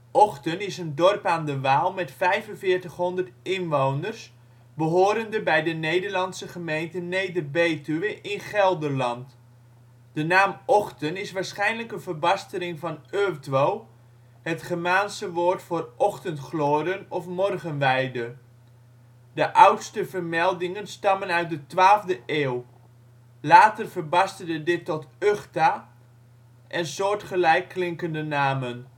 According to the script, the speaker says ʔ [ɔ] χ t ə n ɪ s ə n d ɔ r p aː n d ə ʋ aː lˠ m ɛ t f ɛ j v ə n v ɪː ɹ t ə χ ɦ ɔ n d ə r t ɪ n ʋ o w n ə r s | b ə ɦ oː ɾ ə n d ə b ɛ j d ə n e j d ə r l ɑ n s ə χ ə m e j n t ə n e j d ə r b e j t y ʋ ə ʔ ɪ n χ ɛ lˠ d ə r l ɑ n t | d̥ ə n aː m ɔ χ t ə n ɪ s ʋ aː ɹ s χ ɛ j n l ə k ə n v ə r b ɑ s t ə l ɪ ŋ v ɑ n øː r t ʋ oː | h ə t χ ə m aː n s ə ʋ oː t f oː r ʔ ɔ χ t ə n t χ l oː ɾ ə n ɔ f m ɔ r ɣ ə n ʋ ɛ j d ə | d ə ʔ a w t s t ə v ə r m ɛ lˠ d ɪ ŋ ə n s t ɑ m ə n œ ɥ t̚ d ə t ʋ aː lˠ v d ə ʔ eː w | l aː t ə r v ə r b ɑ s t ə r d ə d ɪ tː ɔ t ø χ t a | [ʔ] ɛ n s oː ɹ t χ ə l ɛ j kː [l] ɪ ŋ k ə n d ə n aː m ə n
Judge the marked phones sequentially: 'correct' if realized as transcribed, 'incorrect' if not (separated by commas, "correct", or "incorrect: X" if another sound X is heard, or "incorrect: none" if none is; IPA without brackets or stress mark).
correct, correct, correct